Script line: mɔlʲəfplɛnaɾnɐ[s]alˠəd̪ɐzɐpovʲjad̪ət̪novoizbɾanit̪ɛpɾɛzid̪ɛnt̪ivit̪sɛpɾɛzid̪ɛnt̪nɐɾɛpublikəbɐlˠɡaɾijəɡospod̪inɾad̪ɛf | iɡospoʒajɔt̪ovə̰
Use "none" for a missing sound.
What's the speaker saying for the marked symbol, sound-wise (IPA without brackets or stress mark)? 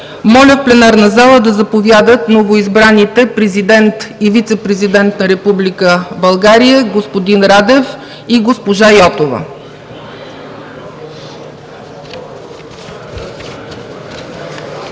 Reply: z